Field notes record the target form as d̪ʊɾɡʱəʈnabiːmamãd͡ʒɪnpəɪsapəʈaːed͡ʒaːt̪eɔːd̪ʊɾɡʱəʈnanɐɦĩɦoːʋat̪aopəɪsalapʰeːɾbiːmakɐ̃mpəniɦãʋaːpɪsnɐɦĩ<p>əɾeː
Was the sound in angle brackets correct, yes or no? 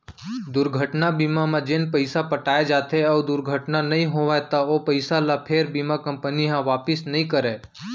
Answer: no